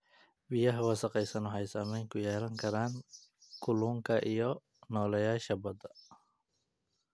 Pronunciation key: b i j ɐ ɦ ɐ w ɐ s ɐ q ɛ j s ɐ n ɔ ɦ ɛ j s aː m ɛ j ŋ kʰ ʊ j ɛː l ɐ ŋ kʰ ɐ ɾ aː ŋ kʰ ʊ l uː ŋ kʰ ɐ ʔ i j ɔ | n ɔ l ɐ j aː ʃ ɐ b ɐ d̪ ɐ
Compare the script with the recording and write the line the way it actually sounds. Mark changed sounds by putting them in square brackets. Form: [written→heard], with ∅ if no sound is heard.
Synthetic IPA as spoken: b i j ɐ ɦ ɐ w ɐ s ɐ q ɛ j s ɐ n ɔ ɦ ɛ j s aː m ɛ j ŋ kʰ ʊ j ɛː l ɐ ŋ kʰ ɐ ɾ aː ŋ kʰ ʊ l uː ŋ kʰ ɐ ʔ i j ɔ | n [ɔ→ɔː] l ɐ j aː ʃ ɐ b ɐ d̪ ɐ